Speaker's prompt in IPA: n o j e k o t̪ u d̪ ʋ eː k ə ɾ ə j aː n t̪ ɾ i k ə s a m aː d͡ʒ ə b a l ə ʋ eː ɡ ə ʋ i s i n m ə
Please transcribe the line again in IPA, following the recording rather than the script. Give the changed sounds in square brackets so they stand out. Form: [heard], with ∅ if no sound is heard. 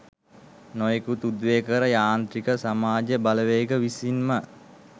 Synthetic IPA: n o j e k [u] t̪ u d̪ ʋ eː k ə ɾ ə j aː n t̪ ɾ i k ə s a m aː d͡ʒ ə b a l ə ʋ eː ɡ ə ʋ i s i n m ə